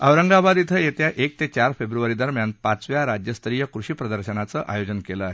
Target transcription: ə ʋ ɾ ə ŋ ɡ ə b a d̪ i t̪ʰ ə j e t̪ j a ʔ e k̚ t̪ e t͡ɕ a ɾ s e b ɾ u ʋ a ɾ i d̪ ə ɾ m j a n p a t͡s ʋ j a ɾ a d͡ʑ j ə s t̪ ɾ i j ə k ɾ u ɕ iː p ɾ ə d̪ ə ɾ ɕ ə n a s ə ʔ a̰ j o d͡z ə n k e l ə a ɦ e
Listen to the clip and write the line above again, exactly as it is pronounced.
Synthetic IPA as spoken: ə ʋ ɾ ə ŋ ɡ a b a d̪ i t̪ʰ ə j e t̪ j a ʔ e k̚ t̪ e t͡ɕ a ɾ f e b ɾ u ʋ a ɾ i d̪ ə ɾ m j a n p a t͡s ʋ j a ɾ a d͡ʑ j ə s t̪ ɾ i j ə k ɾ u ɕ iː p ɾ ə d̪ ə ɾ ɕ ə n a t͡s ə ʔ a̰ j o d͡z ə n k e l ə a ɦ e